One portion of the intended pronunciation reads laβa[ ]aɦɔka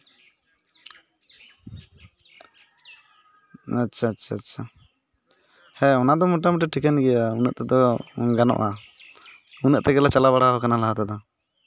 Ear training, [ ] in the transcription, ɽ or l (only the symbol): ɽ